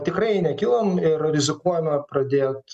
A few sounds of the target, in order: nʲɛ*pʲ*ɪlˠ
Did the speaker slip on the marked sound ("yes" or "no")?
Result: yes